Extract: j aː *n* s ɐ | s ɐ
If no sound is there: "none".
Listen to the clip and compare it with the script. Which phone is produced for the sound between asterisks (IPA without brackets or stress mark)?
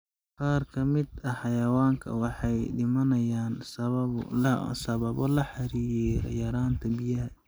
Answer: n